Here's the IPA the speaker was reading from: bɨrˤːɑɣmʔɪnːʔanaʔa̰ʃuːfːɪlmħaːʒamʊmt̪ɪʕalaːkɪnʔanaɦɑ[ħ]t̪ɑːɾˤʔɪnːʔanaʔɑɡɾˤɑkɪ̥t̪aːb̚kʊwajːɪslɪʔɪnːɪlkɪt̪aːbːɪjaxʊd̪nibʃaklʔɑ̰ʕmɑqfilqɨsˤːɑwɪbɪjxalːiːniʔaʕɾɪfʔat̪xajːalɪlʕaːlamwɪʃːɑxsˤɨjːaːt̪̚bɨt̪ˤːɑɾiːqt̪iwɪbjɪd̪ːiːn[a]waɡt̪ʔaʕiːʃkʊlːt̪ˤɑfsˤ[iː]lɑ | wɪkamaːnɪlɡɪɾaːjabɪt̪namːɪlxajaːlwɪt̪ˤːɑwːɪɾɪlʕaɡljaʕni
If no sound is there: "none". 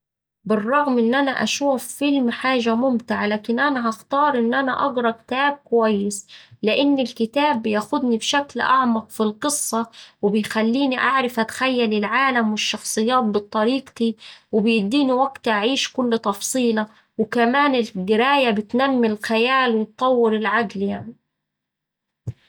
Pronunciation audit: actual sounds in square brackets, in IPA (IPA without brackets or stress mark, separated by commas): x, i, iː